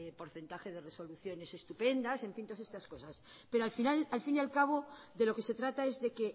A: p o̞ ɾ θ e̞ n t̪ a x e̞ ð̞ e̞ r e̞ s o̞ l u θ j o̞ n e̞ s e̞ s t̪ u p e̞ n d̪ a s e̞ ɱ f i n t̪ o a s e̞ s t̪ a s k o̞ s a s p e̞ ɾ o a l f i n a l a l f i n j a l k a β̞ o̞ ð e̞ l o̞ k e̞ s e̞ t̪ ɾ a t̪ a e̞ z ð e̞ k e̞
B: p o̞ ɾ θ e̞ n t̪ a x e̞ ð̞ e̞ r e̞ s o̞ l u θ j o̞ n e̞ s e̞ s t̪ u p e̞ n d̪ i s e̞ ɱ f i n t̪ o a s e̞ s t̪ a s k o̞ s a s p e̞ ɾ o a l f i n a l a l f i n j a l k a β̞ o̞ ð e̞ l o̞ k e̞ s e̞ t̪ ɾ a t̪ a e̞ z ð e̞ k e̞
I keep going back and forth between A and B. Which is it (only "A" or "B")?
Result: A